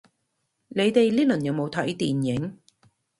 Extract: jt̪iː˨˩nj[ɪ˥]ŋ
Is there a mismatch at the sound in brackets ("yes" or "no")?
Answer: yes